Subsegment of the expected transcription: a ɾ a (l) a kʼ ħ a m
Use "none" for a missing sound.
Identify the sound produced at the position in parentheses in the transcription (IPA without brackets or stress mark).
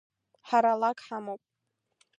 l